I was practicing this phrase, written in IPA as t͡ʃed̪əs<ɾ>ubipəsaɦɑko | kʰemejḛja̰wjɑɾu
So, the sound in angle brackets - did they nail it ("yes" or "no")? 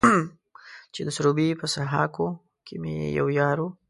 yes